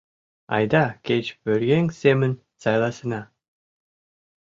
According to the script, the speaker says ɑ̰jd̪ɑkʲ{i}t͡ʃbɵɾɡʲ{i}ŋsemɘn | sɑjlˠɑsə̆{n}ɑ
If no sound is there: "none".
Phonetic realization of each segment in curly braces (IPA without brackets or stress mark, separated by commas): e, e, n